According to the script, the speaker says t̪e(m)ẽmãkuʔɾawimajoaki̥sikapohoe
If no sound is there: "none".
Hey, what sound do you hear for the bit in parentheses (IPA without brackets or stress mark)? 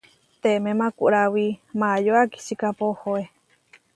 m